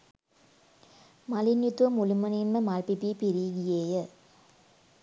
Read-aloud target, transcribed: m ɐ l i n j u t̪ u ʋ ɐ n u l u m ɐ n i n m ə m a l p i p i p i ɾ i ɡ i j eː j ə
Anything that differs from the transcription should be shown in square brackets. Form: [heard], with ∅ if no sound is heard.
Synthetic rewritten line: m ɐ l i n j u t̪ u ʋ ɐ [m] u l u m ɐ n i n m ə m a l p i p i p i ɾ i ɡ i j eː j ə